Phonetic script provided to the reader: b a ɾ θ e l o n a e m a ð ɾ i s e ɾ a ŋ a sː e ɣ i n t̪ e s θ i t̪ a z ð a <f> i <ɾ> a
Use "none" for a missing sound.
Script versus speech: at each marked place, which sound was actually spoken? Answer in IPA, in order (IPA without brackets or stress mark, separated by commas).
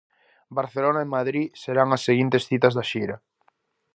ʃ, ɾ